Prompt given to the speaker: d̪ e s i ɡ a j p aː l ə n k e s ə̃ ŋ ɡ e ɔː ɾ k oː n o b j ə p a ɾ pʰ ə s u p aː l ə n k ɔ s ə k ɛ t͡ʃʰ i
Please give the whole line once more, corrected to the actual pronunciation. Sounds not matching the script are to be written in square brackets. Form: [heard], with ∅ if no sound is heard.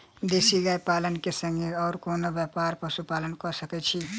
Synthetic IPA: d̪ e s i ɡ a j p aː l ə n k e s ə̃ ŋ ɡ e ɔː ɾ k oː n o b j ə p a ɾ [p] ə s u p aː l ə n k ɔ s ə k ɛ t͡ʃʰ i